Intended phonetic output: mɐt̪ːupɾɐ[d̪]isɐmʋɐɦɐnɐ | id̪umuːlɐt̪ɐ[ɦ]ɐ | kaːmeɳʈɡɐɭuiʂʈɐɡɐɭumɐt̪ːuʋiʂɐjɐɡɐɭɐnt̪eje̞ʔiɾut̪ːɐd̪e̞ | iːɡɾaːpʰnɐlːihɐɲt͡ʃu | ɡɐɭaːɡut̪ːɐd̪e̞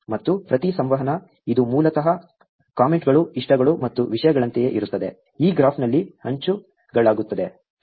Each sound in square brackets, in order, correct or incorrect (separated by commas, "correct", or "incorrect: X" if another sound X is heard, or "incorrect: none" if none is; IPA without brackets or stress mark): incorrect: t̪, correct